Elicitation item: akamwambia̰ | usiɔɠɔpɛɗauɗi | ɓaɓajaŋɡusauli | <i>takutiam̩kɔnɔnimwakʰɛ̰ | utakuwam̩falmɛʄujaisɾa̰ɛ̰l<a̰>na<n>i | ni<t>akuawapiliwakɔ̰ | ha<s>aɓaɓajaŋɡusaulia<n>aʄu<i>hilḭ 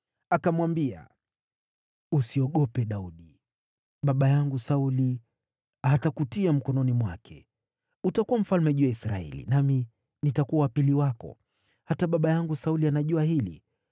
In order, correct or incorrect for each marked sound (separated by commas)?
incorrect, incorrect, incorrect, correct, incorrect, correct, incorrect